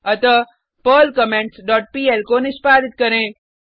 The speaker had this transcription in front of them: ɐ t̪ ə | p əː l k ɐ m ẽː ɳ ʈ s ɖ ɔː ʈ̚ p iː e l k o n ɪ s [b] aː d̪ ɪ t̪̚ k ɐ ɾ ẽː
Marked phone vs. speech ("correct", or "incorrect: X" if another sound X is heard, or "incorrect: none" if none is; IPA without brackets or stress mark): incorrect: p